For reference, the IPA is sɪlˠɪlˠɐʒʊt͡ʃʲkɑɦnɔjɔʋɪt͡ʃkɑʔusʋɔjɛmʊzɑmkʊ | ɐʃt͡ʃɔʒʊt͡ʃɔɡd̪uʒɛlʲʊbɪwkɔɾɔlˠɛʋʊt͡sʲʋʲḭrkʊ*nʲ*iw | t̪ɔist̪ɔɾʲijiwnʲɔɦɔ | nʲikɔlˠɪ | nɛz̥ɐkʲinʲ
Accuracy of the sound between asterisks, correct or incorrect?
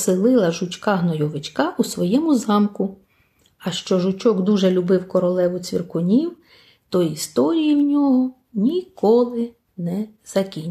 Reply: correct